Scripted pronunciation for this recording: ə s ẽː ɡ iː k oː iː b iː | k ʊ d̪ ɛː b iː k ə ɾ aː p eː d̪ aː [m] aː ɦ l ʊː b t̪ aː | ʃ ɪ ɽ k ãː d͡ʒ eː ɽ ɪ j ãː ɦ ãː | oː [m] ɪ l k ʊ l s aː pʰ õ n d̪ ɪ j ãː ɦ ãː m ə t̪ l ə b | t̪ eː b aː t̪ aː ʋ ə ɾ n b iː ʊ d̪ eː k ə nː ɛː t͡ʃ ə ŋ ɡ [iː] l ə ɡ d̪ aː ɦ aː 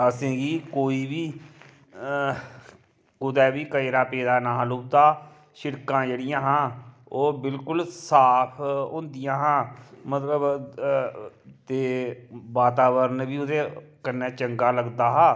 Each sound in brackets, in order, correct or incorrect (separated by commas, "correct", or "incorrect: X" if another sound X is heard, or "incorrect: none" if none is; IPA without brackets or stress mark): incorrect: n, incorrect: b, incorrect: aː